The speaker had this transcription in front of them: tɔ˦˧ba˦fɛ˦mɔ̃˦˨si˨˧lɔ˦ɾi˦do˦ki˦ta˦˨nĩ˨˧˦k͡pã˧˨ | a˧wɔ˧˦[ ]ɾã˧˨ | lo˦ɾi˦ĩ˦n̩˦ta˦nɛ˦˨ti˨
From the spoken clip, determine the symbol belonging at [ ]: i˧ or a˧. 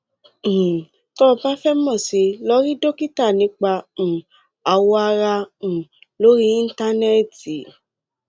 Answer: a˧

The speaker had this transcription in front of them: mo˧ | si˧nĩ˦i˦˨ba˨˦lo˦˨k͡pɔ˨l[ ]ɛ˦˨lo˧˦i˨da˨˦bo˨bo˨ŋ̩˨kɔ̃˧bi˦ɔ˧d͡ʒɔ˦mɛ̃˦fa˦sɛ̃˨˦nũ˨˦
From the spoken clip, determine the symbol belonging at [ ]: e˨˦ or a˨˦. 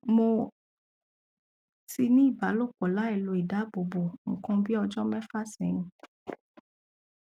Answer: a˨˦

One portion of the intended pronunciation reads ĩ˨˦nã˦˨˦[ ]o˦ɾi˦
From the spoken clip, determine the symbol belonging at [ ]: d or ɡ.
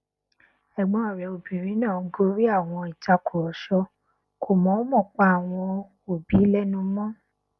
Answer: ɡ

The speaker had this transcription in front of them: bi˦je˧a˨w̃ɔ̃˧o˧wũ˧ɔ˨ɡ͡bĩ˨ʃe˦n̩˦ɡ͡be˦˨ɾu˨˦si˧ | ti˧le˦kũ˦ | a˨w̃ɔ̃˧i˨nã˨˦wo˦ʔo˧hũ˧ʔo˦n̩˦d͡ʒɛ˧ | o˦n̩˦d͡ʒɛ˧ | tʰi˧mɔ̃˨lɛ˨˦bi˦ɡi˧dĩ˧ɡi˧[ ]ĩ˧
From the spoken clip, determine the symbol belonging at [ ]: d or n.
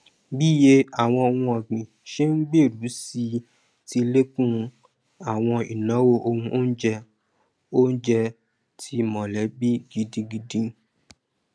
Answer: d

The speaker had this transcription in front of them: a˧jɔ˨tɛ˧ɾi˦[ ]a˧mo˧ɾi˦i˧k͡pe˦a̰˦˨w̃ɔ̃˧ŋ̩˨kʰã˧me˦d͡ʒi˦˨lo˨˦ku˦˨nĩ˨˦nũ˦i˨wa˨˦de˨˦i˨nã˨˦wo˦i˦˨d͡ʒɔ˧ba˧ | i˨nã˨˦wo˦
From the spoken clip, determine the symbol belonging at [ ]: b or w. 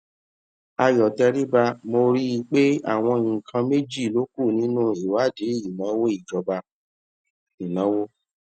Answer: b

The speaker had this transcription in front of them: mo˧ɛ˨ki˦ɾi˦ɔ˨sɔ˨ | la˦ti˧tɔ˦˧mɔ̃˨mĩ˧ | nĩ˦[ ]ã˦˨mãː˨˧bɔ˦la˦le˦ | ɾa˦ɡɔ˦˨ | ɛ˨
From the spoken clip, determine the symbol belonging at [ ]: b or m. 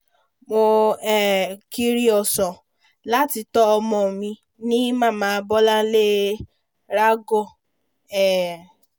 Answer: m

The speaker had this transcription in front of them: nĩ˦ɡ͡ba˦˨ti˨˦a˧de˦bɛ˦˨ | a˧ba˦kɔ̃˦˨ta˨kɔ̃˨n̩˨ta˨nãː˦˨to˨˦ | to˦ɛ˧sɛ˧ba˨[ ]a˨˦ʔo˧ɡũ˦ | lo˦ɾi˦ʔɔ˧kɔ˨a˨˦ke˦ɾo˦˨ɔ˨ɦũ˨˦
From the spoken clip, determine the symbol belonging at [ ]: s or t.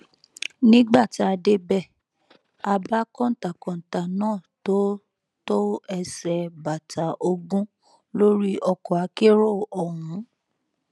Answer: t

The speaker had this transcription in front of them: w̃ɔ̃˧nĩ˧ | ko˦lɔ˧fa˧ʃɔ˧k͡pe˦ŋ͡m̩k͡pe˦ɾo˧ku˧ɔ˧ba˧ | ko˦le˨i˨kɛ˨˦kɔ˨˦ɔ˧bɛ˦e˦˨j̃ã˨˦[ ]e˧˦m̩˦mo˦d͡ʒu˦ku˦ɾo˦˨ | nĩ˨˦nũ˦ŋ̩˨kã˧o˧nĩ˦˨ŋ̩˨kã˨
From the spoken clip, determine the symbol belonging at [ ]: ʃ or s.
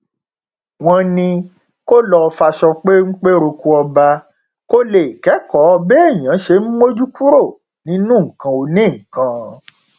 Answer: ʃ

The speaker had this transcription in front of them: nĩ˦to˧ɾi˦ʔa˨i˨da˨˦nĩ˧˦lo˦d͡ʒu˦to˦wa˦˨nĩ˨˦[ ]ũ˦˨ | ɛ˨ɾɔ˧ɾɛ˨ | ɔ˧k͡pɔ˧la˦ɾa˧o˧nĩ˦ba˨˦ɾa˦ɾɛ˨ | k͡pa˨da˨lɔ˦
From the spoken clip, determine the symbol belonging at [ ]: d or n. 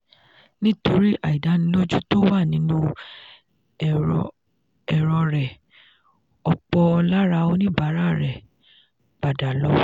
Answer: n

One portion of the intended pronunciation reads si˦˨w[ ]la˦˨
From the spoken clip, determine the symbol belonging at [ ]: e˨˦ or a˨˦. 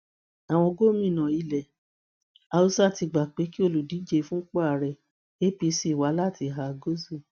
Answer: a˨˦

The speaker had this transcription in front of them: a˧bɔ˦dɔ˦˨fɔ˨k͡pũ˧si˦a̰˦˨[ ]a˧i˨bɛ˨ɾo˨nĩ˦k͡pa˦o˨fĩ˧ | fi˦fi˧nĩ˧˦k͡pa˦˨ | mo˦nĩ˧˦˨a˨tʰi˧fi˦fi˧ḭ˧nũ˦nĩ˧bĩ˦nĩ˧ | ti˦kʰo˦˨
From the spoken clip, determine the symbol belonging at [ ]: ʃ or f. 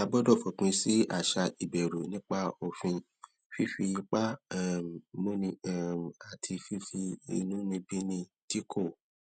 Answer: ʃ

